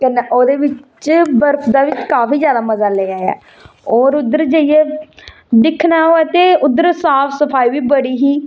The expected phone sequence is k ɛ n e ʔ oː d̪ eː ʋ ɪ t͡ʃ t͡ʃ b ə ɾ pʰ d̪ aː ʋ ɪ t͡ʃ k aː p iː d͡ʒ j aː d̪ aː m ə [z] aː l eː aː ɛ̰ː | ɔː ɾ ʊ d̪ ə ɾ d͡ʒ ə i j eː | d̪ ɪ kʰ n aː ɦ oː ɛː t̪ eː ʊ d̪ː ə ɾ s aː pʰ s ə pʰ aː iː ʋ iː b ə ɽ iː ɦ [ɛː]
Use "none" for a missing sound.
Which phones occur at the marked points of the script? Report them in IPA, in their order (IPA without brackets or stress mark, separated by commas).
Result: z, iː